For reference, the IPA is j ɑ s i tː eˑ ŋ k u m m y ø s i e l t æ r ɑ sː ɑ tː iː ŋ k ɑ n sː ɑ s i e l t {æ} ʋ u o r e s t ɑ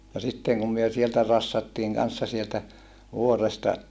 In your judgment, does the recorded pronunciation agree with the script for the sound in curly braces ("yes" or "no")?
yes